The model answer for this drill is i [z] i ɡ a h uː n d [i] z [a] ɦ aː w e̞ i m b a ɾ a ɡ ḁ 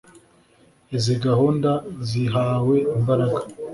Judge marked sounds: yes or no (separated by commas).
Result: yes, no, no